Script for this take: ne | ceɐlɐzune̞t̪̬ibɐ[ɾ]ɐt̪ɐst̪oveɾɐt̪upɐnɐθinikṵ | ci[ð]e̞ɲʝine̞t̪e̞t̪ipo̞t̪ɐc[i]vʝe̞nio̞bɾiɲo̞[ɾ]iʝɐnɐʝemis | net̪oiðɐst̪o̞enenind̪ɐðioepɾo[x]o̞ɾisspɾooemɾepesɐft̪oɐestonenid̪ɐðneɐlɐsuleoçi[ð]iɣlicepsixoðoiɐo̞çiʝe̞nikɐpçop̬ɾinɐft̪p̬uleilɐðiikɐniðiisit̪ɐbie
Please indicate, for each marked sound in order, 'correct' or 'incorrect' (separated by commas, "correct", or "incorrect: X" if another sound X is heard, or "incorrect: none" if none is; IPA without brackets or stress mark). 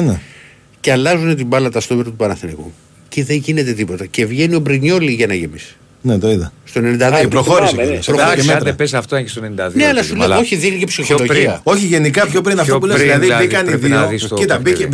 incorrect: l, correct, incorrect: e, incorrect: l, correct, correct